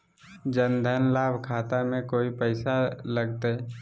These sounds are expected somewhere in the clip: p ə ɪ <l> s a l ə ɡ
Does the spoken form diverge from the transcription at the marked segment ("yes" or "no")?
yes